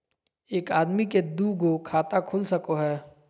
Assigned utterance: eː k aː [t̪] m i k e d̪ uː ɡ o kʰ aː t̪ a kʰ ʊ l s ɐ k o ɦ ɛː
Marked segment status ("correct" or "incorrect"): incorrect